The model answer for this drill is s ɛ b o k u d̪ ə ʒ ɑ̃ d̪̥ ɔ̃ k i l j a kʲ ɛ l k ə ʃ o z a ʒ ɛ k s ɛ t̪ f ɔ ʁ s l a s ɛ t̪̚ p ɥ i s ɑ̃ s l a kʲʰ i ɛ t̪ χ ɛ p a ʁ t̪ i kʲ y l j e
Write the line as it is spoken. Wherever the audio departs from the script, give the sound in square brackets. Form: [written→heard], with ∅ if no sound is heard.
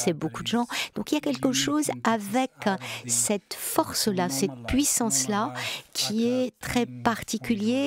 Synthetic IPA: s ɛ b o k u d̪ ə ʒ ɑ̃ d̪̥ ɔ̃ k i l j a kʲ ɛ l k ə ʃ o z a [ʒ→v] ɛ k s ɛ t̪ f ɔ ʁ s l a s ɛ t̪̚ p ɥ i s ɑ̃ s l a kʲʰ i ɛ t̪ χ ɛ p a ʁ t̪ i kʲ y l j e